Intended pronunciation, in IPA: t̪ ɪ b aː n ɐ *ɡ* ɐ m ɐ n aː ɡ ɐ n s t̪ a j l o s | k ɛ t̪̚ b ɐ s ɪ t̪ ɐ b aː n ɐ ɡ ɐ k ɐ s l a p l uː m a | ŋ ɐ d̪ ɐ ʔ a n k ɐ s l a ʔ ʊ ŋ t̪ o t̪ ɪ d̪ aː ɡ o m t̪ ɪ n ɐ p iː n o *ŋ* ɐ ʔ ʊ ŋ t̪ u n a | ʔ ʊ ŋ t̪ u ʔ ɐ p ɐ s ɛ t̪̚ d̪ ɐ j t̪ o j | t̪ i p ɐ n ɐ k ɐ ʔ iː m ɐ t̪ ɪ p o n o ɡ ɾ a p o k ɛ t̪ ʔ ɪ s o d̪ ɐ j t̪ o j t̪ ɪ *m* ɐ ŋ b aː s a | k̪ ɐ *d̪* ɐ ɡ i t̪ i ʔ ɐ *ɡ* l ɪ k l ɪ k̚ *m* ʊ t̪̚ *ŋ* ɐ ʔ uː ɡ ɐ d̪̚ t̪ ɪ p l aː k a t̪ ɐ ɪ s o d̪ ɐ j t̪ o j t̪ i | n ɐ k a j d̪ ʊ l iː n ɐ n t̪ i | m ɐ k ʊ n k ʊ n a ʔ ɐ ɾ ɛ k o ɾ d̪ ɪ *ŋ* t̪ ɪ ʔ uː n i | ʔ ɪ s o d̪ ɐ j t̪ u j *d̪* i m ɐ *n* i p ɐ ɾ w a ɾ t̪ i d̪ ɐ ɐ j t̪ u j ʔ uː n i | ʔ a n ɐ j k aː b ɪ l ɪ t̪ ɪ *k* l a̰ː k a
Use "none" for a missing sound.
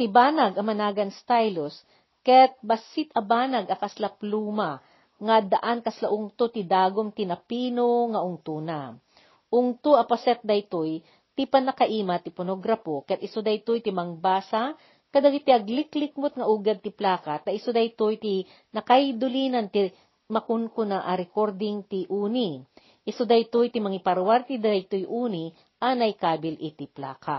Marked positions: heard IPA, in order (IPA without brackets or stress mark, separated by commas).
ɡ, ŋ, m, d̪, ɡ, m, ŋ, ŋ, t̪, ŋ, p